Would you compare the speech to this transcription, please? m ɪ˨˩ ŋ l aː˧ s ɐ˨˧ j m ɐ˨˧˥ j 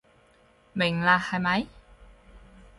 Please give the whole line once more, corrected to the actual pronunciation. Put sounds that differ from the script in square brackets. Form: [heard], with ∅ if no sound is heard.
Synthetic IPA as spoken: m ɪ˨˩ ŋ l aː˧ [h] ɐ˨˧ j m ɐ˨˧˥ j